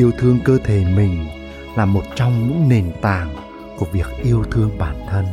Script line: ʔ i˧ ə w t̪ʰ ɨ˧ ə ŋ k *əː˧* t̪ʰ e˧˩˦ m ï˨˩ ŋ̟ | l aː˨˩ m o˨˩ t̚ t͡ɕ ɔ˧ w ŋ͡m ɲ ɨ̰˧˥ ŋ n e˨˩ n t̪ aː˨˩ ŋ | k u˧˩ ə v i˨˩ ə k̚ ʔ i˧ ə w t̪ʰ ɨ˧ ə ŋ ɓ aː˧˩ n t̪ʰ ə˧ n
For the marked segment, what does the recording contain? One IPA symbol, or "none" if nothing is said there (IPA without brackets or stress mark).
əː˧